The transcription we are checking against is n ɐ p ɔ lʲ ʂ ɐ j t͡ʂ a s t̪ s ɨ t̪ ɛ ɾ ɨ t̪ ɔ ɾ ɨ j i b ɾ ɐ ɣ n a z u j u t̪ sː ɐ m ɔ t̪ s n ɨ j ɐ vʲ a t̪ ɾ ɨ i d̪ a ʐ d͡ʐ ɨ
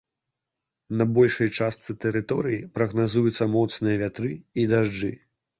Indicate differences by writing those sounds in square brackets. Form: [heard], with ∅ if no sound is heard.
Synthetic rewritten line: n ɐ [b] ɔ lʲ ʂ ɐ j t͡ʂ a s t̪ s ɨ t̪ ɛ ɾ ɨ t̪ ɔ ɾ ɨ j i [p] ɾ ɐ ɣ n a z u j u t̪ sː ɐ m ɔ t̪ s n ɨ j ɐ vʲ a t̪ ɾ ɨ i d̪ a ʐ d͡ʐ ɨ